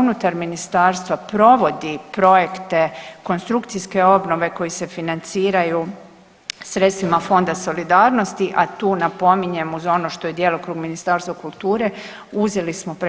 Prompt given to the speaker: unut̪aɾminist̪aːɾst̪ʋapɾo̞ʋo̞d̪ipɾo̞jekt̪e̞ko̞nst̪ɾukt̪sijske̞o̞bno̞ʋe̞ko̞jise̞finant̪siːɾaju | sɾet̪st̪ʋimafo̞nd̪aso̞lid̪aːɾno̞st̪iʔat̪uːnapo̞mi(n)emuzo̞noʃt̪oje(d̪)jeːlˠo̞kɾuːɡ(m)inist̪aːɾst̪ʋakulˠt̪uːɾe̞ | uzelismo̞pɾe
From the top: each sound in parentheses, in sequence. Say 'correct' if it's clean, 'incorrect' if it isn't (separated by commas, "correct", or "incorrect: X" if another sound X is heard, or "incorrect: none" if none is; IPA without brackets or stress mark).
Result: incorrect: ɲ, correct, correct